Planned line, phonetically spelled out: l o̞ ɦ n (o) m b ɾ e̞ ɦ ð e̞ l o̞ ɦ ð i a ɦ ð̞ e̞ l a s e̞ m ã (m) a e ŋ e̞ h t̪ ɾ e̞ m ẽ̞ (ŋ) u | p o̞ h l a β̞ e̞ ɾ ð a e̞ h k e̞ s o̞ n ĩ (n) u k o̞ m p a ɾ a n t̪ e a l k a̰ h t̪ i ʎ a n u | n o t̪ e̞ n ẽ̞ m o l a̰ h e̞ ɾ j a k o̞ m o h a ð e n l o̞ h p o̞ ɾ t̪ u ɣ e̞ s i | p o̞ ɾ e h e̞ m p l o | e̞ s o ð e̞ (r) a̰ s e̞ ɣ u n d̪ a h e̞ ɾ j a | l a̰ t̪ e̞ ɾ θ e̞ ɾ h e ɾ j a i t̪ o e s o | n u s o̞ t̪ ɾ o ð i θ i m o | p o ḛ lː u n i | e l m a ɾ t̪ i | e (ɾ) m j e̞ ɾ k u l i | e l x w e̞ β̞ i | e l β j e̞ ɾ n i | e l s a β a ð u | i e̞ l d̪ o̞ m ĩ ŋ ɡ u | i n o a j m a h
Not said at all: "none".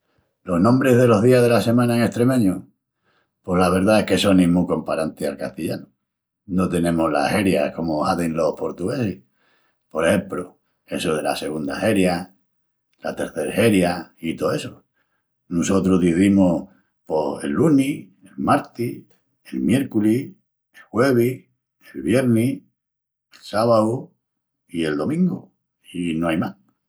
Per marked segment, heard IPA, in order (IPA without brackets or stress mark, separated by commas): õ, n, ɲ, m, l, l